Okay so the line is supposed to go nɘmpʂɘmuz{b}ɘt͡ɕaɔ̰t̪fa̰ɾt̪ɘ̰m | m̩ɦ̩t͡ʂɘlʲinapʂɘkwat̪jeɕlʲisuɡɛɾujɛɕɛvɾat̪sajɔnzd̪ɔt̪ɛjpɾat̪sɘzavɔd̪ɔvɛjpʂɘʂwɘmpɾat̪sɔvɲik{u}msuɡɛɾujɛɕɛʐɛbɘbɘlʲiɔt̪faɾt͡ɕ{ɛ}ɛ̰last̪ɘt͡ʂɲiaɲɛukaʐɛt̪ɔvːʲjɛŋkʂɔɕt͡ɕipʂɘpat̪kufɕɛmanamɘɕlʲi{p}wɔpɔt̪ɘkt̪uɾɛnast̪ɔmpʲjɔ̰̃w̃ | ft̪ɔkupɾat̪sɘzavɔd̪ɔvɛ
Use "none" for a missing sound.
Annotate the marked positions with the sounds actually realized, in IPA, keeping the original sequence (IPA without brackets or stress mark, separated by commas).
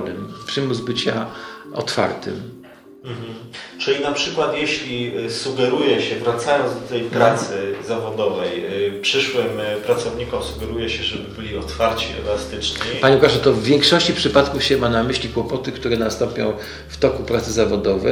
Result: b, ɔ, i, k